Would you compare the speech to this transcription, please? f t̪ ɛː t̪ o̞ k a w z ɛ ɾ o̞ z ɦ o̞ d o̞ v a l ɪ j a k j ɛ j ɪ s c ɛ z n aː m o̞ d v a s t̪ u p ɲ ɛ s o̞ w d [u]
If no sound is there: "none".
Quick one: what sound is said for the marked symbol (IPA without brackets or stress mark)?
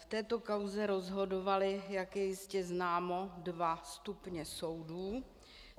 uː